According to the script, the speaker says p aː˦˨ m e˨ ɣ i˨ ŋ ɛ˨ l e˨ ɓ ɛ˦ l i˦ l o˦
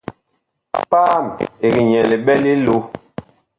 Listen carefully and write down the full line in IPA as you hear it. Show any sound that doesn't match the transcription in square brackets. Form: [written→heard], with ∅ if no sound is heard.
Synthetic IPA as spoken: p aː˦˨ m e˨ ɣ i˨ [ŋ→ɲ] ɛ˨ l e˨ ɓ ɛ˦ l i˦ l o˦